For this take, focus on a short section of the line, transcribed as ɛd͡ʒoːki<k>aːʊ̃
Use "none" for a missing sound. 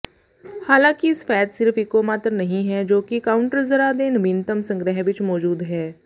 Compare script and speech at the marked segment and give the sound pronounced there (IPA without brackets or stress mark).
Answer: k